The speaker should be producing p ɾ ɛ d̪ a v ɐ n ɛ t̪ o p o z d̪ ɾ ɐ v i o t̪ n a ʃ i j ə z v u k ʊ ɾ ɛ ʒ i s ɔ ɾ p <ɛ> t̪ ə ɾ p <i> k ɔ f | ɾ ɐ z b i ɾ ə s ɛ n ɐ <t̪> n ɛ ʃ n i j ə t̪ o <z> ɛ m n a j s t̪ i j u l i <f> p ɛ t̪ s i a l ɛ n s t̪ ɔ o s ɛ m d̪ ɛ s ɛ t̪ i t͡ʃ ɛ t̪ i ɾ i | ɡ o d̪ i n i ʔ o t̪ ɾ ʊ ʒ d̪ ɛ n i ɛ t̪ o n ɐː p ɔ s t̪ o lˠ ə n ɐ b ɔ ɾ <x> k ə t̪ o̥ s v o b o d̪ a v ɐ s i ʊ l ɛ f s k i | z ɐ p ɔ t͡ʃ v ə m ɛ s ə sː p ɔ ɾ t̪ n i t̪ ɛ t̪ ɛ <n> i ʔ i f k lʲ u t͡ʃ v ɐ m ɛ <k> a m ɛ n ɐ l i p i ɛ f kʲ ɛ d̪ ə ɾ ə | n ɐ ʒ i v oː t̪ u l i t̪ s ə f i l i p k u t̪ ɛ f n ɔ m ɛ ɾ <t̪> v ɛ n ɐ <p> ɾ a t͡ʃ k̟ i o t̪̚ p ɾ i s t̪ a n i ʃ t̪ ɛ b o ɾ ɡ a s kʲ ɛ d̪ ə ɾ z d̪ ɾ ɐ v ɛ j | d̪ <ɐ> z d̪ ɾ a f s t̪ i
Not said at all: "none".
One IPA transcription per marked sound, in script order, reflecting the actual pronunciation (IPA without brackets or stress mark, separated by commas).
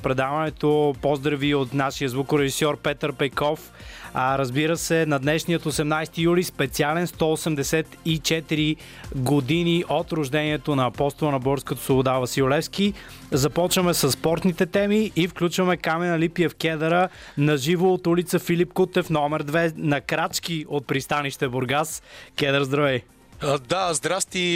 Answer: ɛ, ɛ, d̪, s, s, s, m, k, d̪, k, a